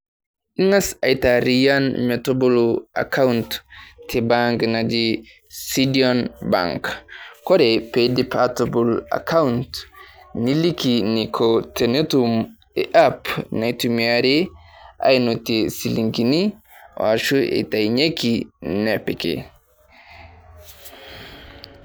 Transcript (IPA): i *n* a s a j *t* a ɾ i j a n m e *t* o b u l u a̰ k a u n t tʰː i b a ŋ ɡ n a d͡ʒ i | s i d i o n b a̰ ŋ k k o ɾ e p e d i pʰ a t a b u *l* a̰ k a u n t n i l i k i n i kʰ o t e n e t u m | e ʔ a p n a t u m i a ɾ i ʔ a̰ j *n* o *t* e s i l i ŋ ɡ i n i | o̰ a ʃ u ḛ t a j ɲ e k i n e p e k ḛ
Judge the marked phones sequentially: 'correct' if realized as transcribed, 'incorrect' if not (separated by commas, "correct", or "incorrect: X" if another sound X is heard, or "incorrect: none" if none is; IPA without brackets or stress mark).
incorrect: ŋ, correct, correct, correct, correct, correct